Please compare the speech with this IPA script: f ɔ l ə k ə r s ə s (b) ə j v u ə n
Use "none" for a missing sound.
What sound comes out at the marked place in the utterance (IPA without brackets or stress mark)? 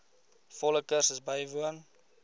b